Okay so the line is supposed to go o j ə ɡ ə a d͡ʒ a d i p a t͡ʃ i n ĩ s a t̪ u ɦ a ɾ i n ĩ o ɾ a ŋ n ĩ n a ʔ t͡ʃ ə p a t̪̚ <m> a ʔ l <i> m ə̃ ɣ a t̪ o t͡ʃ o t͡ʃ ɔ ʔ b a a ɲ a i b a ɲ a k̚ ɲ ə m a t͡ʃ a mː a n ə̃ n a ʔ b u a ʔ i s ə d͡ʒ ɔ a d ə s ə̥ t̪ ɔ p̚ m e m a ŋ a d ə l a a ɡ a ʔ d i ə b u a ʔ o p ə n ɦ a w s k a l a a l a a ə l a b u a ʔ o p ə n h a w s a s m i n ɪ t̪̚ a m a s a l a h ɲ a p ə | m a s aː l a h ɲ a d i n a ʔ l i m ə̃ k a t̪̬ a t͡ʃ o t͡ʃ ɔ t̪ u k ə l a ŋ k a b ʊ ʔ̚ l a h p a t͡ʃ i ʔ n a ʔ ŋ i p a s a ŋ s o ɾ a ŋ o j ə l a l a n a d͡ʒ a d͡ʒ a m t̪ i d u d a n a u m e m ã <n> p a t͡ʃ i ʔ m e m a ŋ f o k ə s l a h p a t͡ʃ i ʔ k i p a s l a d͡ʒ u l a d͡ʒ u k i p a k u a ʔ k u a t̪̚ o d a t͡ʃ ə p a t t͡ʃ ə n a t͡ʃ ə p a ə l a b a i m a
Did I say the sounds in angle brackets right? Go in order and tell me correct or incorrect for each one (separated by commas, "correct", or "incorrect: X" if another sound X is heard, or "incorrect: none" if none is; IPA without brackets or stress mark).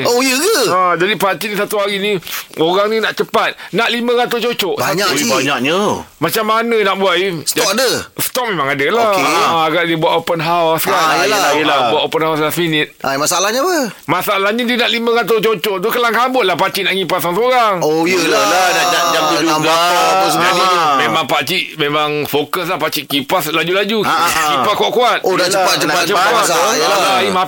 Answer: incorrect: n, correct, incorrect: ŋ